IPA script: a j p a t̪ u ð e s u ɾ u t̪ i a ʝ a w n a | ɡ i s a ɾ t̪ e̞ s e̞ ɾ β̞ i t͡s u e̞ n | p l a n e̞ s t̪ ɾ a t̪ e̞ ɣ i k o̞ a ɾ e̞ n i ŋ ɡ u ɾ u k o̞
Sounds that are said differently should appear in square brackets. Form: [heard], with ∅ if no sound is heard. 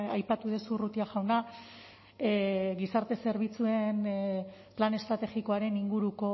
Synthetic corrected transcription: a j p a t̪ u ð e s u [r] u t̪ i a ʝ a w n a | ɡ i s a ɾ t̪ e̞ s e̞ ɾ β̞ i t͡s u e̞ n | p l a n e̞ s t̪ ɾ a t̪ e̞ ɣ i k o̞ a ɾ e̞ n i ŋ ɡ u ɾ u k o̞